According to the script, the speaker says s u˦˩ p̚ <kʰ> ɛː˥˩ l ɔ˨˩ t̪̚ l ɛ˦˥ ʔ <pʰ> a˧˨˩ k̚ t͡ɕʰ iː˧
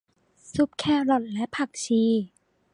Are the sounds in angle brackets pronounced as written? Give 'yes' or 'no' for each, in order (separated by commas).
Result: yes, yes